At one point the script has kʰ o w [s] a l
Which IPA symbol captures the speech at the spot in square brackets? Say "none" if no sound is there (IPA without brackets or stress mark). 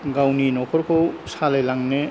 s